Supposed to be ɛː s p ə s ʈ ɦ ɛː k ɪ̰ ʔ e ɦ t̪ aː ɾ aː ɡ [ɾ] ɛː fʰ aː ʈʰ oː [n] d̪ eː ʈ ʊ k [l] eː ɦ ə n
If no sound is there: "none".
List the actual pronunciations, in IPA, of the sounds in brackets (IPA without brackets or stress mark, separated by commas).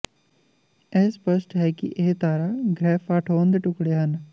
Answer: ɾ, n, ɽ